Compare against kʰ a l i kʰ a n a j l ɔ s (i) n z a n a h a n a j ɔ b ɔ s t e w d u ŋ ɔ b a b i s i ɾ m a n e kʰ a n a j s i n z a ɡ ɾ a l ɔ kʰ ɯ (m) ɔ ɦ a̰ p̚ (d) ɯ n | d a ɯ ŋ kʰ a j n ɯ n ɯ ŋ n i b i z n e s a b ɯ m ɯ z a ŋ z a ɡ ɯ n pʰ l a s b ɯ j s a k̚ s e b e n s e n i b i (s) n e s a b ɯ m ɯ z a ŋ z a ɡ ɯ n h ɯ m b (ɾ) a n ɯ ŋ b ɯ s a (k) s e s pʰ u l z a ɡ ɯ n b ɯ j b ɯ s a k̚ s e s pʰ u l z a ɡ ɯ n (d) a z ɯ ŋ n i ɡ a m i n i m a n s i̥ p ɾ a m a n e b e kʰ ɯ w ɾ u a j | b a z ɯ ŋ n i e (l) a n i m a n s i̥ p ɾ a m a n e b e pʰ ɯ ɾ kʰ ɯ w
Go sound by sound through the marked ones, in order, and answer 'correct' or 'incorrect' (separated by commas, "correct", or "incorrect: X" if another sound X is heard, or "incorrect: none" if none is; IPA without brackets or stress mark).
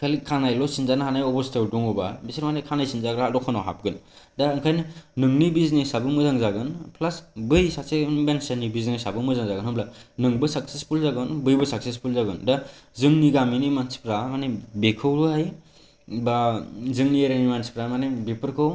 correct, incorrect: n, incorrect: ɡ, incorrect: z, incorrect: l, correct, correct, incorrect: ɾ